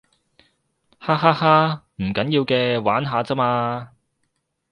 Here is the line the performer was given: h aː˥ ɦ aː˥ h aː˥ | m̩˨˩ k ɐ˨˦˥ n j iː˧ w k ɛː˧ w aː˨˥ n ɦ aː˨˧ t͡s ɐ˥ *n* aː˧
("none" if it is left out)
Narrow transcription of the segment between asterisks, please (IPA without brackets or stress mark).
m